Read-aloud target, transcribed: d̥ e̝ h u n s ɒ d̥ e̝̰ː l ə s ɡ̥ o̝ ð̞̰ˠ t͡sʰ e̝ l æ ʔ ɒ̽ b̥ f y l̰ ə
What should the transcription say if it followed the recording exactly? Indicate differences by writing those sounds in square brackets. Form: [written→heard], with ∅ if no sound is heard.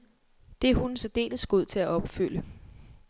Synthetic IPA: d̥ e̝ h u n s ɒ d̥ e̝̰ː l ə s ɡ̥ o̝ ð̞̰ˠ t͡sʰ e̝ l æ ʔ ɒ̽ b̥ f y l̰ ə